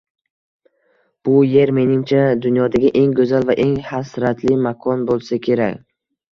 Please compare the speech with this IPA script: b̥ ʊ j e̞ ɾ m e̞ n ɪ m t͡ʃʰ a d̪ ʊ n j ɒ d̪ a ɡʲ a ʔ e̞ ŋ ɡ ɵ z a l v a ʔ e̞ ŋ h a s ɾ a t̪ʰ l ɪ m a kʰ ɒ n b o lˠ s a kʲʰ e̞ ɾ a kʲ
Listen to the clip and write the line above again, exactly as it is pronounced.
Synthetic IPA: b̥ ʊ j e̞ ɾ m e̞ n ɪ m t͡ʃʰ a d̪ ʊ n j ɒ d̪ a ɡʲ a ʔ e̞ ŋ ɡ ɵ z a l v a ʔ e̞ ŋ h a s ɾ a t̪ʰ l ɪ m a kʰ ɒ n b o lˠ s a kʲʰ e̞ ɾ a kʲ